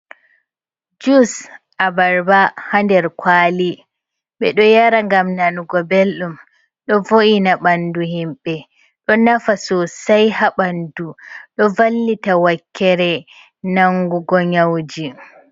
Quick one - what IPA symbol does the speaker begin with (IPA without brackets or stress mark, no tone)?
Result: d͡ʒ